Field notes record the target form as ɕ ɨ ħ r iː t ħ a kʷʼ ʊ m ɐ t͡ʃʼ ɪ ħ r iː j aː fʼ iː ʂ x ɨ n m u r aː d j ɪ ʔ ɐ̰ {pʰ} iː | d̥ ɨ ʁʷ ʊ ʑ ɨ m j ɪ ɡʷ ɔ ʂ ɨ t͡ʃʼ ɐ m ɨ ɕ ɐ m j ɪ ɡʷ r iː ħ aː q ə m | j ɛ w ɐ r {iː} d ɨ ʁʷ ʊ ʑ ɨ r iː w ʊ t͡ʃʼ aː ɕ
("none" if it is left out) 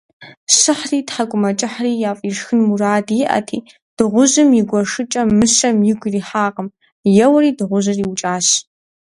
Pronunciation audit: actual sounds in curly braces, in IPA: tʰ, iː

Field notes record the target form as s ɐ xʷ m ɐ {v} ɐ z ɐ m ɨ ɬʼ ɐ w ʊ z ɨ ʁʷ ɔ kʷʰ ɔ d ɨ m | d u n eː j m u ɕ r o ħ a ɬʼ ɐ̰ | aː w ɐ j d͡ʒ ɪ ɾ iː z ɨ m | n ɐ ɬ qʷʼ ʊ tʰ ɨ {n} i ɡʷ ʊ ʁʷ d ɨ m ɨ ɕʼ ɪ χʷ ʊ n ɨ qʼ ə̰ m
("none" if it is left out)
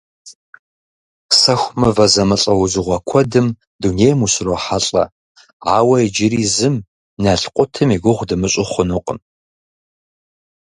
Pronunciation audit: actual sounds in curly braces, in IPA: v, m

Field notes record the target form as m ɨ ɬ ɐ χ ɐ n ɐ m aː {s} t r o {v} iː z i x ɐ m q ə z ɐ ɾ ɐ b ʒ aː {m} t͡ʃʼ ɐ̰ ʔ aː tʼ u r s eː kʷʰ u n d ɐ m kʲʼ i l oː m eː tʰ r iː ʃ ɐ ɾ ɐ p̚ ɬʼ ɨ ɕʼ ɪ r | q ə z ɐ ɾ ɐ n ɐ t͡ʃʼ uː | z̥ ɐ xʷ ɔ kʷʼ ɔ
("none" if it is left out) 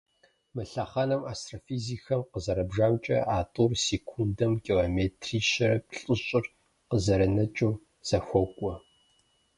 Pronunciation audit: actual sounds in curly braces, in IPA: s, f, m

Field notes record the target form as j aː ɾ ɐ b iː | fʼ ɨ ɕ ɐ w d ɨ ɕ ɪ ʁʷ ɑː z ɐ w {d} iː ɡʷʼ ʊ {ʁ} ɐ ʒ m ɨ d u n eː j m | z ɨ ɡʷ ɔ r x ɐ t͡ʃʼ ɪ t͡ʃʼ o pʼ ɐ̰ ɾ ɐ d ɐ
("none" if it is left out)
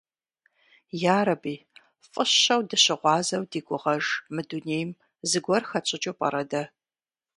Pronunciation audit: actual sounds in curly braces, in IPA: d, ʁ

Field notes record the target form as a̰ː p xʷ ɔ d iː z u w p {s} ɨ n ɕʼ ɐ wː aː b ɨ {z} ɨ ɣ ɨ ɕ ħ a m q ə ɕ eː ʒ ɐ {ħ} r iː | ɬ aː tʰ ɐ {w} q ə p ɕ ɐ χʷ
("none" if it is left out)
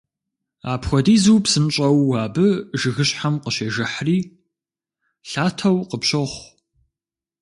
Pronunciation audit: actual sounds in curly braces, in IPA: s, ʒ, ħ, w

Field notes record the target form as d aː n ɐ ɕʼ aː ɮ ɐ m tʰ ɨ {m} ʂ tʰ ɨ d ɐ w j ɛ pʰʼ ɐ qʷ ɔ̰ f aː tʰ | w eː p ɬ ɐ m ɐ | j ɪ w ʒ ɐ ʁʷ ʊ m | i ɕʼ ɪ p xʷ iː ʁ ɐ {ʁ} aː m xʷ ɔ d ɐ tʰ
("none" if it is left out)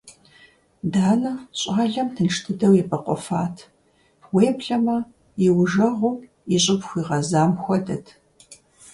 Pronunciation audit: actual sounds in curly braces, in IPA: n, z

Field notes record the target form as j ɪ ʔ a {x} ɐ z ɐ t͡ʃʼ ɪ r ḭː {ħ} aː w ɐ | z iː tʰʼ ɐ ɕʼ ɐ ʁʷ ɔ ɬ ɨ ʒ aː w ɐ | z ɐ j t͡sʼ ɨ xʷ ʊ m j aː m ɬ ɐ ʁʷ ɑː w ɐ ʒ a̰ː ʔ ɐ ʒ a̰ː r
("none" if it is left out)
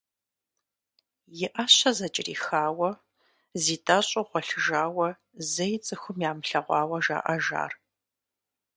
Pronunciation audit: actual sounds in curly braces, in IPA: ɕ, x

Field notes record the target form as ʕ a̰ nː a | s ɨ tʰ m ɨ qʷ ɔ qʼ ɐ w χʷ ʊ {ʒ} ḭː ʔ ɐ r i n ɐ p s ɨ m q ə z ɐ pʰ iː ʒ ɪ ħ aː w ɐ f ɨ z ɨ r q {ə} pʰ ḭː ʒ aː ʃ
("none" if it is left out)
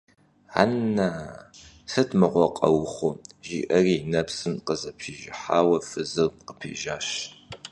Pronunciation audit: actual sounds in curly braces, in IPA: ʒ, ə

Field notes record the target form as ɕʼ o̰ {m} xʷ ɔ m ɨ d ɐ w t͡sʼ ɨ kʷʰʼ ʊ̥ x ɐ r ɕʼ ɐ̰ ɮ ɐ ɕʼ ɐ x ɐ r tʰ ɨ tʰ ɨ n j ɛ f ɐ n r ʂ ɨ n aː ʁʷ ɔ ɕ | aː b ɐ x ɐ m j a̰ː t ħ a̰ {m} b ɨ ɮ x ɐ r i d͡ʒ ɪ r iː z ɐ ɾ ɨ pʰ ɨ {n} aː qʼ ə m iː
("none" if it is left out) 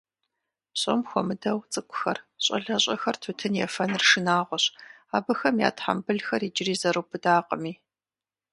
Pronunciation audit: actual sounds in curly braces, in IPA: m, m, d

